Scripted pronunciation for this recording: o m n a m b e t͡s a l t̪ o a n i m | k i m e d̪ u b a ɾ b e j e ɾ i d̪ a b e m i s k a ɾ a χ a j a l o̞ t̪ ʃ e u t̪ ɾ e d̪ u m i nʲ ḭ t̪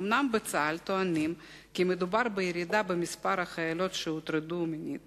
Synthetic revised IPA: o m n a m b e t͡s a l t̪ o a n i m | k i m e d̪ u b a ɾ b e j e ɾ i d̪ a b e m i s p a ɾ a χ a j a l o̞ t̪ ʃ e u t̪ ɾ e d̪ u m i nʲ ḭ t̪